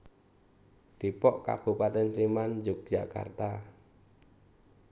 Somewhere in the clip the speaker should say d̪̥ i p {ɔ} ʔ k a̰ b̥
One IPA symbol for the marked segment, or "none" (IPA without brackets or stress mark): ɔ